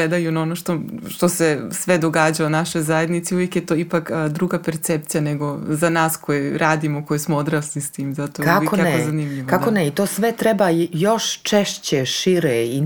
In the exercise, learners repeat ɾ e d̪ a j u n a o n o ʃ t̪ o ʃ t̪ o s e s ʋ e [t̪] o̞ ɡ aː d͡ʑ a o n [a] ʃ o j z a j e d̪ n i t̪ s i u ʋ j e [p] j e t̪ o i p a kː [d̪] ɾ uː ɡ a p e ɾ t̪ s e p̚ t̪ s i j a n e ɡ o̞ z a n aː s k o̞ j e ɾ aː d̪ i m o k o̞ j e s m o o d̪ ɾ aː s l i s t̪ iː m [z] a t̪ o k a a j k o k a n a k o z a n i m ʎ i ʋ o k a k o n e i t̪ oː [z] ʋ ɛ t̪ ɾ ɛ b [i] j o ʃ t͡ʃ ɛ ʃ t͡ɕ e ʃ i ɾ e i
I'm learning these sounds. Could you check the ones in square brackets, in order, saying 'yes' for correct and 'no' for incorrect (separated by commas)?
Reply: no, yes, no, yes, yes, no, no